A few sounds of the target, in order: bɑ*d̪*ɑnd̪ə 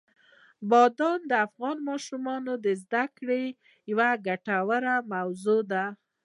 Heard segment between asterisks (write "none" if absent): d̪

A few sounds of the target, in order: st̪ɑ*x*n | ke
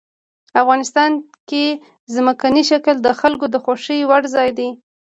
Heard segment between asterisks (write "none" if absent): none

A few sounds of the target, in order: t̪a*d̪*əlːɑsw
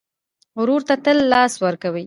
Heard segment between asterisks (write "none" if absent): t̪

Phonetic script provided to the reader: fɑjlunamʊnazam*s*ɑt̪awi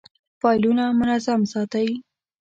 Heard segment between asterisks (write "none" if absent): s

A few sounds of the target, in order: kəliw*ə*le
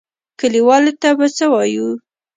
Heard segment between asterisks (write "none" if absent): ɑ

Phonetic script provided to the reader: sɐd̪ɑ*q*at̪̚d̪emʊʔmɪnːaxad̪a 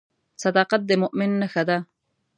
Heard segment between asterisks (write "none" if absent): q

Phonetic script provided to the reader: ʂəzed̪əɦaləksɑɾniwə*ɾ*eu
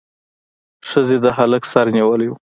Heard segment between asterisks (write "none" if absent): l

